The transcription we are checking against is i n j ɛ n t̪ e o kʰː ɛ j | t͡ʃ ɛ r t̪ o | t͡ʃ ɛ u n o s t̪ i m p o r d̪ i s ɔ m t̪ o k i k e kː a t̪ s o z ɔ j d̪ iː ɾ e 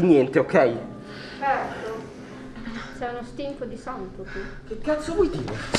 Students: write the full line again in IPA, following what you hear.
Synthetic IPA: i n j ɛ n t̪ e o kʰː ɛ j | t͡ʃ ɛ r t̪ o | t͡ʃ ɛ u n o s t̪ i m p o d̪ i s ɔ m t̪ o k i k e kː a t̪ s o v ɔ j d̪ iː ɾ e